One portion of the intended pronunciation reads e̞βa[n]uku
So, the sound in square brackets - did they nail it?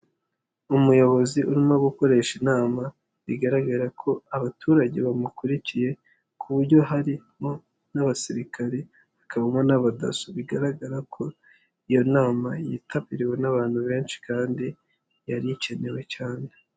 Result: no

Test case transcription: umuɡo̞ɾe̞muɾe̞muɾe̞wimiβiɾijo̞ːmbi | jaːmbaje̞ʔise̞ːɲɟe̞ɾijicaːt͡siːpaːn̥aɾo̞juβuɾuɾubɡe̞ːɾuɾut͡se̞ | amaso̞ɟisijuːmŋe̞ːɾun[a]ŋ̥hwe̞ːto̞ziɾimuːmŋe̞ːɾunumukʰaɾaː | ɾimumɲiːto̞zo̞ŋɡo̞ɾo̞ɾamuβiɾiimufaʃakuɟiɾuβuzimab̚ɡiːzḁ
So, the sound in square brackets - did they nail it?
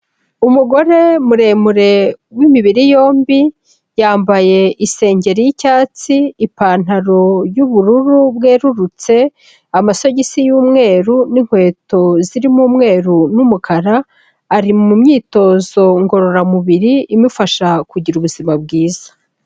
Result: no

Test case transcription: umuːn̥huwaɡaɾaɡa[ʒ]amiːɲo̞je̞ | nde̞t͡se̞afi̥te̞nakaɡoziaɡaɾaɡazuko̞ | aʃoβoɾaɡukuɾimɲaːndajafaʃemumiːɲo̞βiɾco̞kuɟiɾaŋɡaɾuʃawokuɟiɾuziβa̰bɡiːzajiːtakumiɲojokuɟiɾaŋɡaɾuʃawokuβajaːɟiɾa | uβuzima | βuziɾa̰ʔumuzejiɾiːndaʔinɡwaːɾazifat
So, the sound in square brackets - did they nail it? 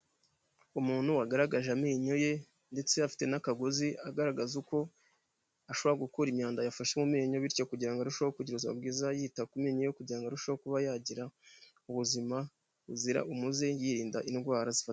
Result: yes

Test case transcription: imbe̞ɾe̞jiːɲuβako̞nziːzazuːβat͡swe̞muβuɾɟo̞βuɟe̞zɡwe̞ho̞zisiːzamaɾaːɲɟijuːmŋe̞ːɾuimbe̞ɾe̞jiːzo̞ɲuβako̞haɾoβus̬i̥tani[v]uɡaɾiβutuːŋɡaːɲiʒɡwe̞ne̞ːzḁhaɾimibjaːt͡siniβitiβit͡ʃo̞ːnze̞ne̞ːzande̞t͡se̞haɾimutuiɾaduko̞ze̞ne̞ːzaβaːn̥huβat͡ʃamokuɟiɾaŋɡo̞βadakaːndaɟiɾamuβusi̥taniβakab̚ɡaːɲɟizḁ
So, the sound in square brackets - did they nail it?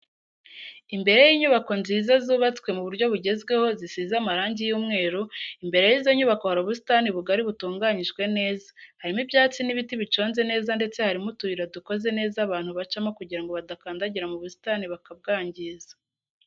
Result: no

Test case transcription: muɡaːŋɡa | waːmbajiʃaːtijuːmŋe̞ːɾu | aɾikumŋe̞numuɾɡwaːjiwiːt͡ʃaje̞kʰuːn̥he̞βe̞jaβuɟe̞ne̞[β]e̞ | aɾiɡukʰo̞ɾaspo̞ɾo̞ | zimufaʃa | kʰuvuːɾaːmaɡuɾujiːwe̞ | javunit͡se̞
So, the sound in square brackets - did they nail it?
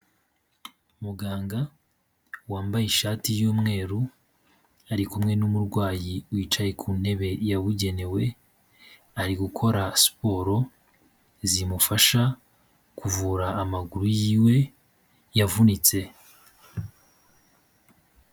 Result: no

